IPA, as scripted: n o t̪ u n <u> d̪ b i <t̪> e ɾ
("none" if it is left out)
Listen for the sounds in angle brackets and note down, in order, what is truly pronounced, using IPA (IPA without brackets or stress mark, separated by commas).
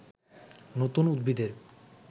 u, d̪